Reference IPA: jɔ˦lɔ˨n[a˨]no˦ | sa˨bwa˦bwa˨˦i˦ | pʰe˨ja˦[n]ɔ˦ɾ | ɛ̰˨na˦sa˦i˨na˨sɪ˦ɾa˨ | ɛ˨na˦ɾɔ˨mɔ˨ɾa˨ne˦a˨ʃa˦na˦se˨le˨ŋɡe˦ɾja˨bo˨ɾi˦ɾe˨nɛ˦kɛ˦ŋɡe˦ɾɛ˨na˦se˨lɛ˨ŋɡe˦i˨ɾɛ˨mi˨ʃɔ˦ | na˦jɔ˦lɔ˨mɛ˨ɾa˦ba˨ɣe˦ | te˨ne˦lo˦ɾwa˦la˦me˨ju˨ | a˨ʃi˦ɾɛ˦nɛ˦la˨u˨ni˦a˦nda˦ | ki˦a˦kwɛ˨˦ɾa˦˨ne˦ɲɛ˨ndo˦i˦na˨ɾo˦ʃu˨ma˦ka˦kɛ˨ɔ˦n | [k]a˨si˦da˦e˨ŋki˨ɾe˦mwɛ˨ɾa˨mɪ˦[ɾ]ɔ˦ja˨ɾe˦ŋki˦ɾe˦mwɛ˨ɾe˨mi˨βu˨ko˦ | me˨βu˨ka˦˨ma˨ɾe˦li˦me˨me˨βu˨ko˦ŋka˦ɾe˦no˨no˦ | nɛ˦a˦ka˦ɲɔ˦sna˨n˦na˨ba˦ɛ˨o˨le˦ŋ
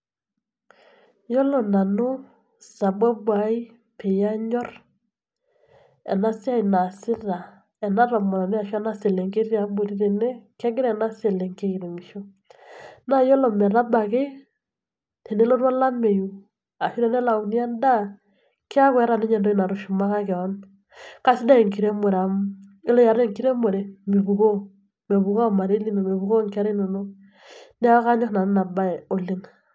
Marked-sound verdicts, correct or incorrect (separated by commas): correct, incorrect, correct, incorrect